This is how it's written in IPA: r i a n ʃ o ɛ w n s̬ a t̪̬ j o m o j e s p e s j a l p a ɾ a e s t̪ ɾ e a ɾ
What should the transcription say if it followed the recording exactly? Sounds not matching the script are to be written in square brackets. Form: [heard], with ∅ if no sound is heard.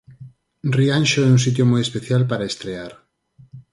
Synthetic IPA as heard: r i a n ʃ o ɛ [u] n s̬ [i] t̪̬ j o m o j e s p e [θ] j a l p a ɾ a e s t̪ ɾ e a ɾ